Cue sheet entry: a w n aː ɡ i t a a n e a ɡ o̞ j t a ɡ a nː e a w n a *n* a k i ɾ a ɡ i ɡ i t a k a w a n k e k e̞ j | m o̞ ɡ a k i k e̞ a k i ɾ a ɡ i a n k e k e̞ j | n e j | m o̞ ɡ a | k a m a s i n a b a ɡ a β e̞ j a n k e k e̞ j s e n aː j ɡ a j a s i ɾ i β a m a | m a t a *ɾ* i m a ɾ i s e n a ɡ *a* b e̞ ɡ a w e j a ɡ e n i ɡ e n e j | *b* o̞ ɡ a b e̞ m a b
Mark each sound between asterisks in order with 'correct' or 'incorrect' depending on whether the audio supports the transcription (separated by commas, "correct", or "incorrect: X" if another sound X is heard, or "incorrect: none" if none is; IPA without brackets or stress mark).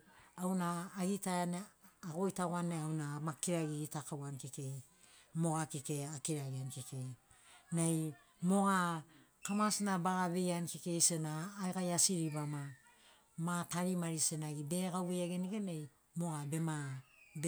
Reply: incorrect: m, correct, incorrect: i, incorrect: m